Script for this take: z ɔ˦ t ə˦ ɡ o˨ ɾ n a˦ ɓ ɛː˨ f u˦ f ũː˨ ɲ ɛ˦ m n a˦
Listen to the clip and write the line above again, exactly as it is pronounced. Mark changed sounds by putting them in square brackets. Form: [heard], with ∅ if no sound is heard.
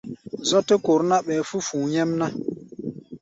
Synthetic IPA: z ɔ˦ t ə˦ [k] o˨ ɾ n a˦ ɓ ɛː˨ f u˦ f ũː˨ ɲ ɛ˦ m n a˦